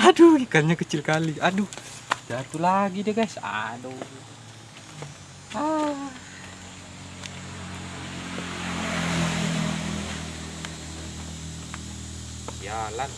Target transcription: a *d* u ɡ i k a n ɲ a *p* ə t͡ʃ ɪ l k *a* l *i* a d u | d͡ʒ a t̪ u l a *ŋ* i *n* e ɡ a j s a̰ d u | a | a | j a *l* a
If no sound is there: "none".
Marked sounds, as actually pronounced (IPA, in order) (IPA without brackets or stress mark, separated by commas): d, k, a, i, ɡ, d, l